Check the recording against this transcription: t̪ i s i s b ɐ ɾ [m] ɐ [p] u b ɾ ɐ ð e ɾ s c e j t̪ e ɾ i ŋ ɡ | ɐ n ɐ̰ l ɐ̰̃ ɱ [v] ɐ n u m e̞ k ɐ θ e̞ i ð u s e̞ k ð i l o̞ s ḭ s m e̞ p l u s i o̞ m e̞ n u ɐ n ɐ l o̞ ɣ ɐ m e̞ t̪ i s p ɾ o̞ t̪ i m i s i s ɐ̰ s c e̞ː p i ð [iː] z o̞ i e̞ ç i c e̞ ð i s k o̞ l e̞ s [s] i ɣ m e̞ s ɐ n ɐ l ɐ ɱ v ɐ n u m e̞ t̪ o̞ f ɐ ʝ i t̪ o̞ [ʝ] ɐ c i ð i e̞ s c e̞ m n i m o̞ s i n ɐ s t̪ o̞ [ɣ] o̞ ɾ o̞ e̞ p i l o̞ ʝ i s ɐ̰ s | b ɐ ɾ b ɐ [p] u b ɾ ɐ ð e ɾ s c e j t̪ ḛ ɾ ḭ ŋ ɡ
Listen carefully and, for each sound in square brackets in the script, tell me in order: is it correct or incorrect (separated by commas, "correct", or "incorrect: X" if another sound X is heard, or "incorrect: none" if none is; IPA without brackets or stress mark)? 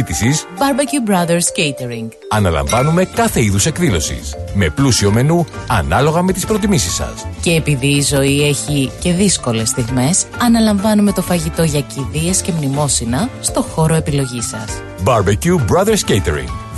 incorrect: b, incorrect: c, correct, correct, incorrect: θ, correct, incorrect: x, incorrect: c